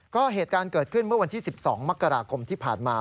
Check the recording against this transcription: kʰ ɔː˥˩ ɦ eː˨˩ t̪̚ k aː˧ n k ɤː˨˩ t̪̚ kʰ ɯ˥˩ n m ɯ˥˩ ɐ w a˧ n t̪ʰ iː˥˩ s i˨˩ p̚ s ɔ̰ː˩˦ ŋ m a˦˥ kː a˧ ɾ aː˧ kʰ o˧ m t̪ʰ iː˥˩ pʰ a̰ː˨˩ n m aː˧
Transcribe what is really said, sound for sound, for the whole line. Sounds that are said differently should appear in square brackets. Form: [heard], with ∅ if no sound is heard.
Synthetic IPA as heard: [k] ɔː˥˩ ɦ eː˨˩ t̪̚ k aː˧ n k ɤː˨˩ t̪̚ kʰ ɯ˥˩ n m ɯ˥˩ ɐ w a˧ n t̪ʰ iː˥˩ s i˨˩ p̚ s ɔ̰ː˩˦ ŋ m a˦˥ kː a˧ ɾ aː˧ kʰ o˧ m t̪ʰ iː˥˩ pʰ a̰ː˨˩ n m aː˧